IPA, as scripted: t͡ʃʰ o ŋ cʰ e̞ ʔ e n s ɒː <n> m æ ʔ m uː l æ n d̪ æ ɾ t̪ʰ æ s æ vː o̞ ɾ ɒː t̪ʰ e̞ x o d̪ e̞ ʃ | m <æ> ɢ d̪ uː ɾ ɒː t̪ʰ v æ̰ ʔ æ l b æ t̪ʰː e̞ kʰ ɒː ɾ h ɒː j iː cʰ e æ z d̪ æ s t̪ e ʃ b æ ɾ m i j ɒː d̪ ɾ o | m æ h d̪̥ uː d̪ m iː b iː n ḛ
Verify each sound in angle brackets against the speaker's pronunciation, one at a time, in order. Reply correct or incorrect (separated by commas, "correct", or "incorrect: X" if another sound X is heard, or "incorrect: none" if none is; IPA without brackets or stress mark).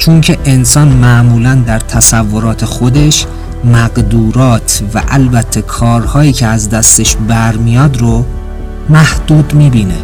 correct, correct